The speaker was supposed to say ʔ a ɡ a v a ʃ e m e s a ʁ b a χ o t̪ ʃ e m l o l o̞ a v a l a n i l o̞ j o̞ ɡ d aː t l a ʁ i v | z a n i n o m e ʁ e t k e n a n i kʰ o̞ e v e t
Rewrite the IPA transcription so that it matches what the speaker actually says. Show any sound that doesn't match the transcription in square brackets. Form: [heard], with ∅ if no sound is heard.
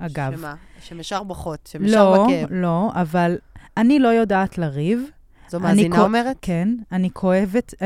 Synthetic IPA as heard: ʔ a ɡ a v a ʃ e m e [ʃ] a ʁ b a χ o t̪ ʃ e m l o l o̞ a v a l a n i l o̞ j o̞ [∅] d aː t l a ʁ i v | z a n i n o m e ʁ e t k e n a n i kʰ o̞ e v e t